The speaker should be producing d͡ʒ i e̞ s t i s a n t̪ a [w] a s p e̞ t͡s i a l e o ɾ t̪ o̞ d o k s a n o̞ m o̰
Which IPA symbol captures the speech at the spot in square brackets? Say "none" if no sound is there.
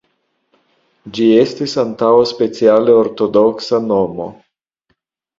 w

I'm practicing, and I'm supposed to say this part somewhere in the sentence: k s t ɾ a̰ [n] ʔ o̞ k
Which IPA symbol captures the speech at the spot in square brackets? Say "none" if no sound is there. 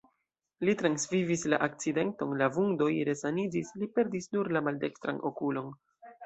n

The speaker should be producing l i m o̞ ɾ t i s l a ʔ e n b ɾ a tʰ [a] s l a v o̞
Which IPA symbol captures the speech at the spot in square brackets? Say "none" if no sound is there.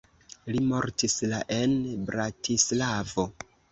i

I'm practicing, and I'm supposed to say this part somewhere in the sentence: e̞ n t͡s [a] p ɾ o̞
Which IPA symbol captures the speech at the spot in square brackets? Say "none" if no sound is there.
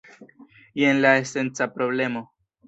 a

